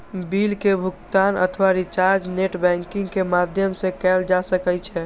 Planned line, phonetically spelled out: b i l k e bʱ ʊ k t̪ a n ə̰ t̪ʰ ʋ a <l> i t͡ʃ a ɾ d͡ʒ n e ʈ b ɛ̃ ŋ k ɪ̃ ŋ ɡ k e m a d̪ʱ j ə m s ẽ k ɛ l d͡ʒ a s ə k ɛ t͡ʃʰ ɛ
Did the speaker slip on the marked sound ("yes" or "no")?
yes